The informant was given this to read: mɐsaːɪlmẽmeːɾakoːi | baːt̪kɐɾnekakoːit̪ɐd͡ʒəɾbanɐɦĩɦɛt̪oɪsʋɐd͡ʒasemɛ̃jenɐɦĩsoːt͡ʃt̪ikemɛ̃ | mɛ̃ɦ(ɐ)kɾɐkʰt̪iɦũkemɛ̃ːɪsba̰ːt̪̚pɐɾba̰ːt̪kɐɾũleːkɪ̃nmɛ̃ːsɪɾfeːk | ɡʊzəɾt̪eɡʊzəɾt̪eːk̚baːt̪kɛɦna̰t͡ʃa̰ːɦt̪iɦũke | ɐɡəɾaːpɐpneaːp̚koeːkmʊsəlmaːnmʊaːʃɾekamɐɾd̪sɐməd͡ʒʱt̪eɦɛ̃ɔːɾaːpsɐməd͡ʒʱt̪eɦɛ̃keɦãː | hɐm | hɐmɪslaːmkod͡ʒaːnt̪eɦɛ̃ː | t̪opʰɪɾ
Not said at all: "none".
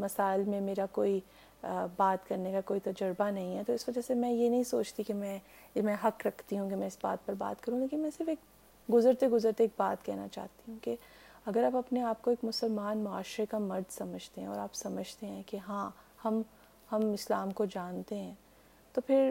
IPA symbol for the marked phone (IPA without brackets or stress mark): ɐ